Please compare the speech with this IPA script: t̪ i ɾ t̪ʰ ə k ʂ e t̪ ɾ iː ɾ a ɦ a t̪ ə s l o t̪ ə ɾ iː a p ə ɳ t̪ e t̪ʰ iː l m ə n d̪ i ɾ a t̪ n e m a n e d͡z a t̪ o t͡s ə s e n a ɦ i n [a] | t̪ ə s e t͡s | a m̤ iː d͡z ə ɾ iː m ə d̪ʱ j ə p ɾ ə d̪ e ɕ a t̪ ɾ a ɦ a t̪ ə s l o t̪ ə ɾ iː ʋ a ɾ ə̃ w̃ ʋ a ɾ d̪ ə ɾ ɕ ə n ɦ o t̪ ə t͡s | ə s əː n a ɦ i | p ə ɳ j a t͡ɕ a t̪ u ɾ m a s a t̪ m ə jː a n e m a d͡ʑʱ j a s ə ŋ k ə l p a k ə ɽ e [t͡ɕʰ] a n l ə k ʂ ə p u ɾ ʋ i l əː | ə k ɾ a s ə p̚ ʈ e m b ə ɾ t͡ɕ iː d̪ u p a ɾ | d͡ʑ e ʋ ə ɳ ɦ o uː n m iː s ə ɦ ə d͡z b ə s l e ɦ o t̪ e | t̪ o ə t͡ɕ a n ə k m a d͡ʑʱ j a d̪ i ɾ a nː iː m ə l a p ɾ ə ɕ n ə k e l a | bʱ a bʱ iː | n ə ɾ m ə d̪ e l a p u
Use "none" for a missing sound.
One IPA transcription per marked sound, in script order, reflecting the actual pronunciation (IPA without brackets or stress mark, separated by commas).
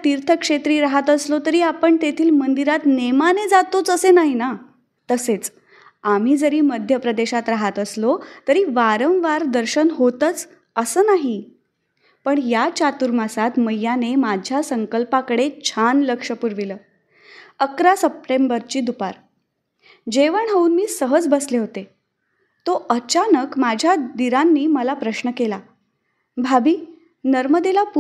a, t͡ɕʰ